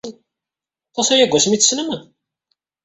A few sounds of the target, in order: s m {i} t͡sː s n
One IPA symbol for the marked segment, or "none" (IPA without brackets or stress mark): i